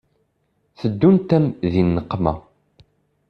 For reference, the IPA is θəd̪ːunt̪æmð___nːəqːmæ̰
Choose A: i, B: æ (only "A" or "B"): A